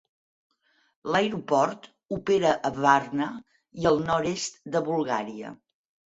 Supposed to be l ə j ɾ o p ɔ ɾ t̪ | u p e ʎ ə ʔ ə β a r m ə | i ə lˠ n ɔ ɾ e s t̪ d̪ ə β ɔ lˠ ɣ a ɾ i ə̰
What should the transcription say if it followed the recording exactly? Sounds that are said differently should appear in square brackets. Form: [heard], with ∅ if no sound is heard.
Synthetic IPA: l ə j ɾ [u] p ɔ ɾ t̪ | u p e [ɾ] ə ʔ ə β a r [n] ə | i ə lˠ n ɔ ɾ e s t̪ d̪ ə β [u] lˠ ɣ a ɾ i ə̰